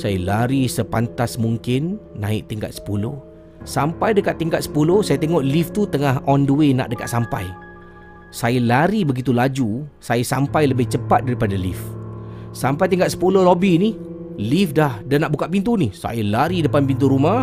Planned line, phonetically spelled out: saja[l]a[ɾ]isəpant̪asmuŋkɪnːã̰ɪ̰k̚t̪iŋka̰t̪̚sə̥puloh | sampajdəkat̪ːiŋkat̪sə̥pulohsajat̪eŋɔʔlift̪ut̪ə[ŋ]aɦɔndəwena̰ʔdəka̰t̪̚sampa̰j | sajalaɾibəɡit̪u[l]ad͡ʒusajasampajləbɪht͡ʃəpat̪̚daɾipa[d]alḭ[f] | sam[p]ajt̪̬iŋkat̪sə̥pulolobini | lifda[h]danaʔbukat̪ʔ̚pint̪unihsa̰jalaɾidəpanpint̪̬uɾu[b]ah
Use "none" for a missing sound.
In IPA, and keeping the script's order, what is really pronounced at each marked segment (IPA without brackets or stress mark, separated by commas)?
l, ɾ, ŋ, l, d, f, p, h, m